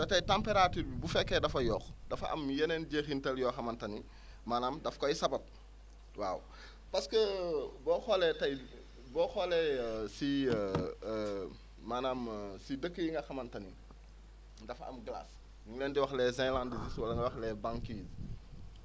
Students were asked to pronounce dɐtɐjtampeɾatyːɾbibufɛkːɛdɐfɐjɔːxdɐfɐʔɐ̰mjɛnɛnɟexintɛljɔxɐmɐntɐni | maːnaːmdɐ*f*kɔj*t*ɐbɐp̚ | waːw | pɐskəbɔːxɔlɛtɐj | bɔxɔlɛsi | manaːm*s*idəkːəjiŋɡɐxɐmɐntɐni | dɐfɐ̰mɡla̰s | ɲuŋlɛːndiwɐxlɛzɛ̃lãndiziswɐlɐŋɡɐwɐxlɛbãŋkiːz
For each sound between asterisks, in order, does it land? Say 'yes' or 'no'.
yes, no, yes

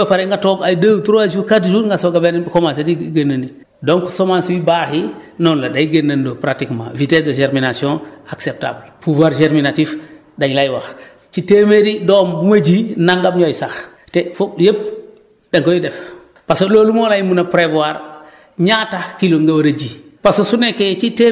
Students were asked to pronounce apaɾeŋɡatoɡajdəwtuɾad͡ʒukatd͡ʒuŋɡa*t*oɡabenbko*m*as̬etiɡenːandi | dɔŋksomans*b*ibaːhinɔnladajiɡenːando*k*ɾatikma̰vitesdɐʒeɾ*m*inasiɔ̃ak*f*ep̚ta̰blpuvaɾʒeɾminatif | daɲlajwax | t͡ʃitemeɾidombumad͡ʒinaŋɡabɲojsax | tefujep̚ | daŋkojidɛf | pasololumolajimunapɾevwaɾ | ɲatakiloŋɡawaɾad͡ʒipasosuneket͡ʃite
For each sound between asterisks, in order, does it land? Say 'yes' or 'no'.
no, yes, no, no, yes, no

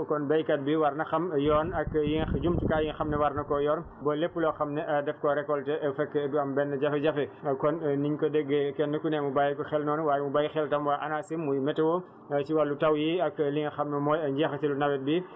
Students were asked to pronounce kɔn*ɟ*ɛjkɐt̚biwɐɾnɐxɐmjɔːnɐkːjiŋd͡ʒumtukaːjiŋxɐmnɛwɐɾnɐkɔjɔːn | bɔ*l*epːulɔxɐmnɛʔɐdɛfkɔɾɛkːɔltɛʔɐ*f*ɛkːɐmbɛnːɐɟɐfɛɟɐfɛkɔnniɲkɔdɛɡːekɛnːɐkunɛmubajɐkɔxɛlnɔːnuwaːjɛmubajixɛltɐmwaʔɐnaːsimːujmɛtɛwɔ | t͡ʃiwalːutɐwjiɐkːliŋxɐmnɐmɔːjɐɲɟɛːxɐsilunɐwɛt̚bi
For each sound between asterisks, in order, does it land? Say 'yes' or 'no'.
no, yes, yes

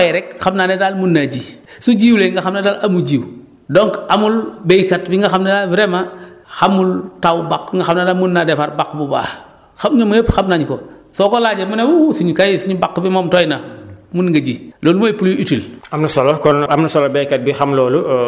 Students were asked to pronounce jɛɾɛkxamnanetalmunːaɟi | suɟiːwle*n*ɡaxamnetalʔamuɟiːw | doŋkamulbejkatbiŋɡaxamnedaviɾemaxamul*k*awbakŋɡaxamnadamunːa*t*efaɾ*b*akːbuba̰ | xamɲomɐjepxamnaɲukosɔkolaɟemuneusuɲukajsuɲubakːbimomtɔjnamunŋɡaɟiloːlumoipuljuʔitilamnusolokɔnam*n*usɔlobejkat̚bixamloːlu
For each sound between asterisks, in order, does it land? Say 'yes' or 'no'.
no, no, no, yes, yes

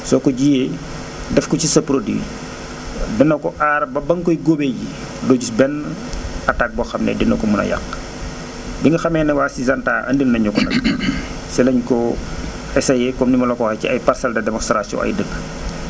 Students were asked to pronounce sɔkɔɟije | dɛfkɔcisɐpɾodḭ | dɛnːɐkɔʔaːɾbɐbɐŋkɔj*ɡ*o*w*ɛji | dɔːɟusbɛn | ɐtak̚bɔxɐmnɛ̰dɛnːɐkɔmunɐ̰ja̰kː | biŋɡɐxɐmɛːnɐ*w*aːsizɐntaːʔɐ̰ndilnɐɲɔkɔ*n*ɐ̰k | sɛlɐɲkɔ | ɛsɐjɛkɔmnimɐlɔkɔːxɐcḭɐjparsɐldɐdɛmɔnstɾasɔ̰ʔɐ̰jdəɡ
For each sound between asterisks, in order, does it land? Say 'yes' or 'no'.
yes, no, yes, yes

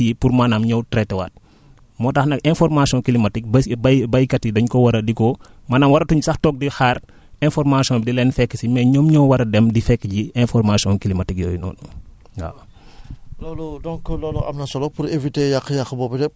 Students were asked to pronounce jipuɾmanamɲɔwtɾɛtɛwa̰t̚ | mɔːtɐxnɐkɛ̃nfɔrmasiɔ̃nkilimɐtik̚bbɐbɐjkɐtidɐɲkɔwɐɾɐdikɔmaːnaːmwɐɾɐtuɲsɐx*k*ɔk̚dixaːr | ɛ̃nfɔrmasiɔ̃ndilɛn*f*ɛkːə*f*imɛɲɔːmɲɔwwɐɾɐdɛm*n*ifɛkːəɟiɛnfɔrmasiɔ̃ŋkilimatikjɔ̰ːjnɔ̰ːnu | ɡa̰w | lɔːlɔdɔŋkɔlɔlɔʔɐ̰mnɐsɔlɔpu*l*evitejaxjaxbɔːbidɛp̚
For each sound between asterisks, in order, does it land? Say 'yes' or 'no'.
no, yes, no, no, no

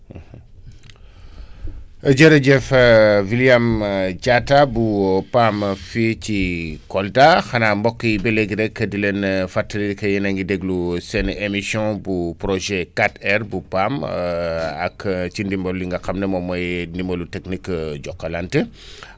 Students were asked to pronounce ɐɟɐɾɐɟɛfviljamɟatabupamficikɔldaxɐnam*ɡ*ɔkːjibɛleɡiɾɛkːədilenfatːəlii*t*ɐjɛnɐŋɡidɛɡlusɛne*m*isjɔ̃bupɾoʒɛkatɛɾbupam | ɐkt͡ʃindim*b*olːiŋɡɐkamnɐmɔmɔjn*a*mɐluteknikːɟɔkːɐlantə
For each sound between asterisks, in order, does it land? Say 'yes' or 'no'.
no, no, yes, yes, no

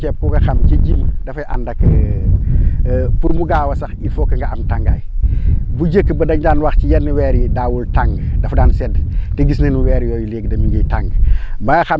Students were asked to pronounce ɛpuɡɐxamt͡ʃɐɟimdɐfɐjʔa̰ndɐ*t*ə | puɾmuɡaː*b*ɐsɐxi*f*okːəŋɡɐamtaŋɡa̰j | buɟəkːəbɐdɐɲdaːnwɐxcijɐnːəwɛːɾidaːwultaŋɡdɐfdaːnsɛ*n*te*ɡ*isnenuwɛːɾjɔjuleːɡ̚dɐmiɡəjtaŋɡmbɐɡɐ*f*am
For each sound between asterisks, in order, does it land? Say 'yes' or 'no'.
no, no, yes, no, yes, no

